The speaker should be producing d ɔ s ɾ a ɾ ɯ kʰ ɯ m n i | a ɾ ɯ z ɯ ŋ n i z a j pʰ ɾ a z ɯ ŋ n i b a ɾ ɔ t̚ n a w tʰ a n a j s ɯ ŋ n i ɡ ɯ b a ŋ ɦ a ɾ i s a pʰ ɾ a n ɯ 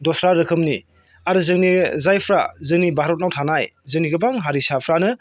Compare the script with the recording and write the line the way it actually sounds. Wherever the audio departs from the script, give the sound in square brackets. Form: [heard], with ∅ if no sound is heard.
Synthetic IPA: d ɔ s ɾ a ɾ ɯ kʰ ɯ m n i | a ɾ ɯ z ɯ ŋ n i z a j pʰ ɾ a z ɯ ŋ n i b a ɾ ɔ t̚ n a w tʰ a n a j [z] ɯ ŋ n i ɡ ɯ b a ŋ ɦ a ɾ i s a pʰ ɾ a n ɯ

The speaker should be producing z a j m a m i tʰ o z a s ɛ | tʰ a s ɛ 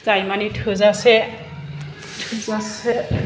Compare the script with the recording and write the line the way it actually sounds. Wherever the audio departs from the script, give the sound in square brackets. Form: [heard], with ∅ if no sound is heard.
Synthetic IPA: z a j m a [n] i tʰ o z a s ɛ | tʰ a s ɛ

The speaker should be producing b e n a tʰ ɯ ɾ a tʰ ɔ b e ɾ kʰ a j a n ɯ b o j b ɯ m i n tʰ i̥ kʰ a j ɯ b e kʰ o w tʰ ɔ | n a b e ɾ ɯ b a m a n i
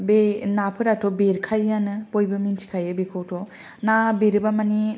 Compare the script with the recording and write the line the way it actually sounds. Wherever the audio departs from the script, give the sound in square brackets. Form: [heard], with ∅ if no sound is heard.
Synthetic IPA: b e n a [pʰ] ɯ ɾ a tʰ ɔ b e ɾ kʰ a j a n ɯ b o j b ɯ m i n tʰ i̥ kʰ a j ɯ b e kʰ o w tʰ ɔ | n a b e ɾ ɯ b a m a n i

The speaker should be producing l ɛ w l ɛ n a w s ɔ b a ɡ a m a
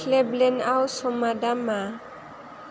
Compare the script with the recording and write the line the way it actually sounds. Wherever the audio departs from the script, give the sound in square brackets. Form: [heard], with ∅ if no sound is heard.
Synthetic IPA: l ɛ [b] l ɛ n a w s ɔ [m] a [d] a m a

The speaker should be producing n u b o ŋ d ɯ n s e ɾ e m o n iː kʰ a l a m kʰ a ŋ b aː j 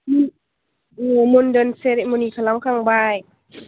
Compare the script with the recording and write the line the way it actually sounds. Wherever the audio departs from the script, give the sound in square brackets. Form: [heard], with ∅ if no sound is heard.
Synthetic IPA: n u [m] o [n] d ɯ n s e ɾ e m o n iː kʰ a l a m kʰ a ŋ b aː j

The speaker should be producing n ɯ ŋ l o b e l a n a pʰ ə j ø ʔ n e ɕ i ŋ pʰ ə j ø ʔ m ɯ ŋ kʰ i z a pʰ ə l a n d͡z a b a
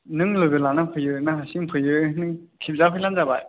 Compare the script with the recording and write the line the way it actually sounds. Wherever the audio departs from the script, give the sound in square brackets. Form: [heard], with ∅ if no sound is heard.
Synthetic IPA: n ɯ ŋ l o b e l a n a pʰ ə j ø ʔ n [a] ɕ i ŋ pʰ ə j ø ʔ [n] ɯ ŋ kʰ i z a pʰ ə l a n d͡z a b a

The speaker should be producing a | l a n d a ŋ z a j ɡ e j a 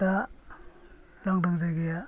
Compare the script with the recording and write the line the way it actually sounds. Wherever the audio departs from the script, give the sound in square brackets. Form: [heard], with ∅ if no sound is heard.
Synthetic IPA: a | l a [ŋ] d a ŋ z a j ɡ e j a

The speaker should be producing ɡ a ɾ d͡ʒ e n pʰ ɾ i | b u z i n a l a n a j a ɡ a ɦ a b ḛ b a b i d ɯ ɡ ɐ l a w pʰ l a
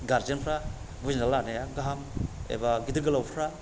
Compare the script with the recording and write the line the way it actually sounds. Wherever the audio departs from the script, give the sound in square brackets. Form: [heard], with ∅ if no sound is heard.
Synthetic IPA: ɡ a ɾ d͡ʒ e n pʰ ɾ [a] | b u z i n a l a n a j a ɡ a ɦ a [m] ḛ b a [ɡ] i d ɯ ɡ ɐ l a w pʰ [ɾ] a

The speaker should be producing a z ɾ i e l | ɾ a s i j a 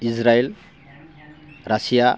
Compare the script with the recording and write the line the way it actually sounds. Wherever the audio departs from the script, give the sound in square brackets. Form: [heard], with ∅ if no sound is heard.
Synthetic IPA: [i] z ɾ [a] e l | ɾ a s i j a

